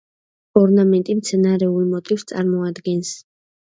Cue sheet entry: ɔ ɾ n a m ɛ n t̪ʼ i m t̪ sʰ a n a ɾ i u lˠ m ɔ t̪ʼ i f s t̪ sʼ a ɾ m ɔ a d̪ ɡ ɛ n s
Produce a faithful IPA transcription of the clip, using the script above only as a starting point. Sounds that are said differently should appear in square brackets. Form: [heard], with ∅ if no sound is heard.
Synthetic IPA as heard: ɔ ɾ n a m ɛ n t̪ʼ i m t̪ sʰ [ɛ] n a ɾ [ɛ] u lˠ m ɔ t̪ʼ i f s t̪ sʼ a ɾ m ɔ a d̪ ɡ ɛ n s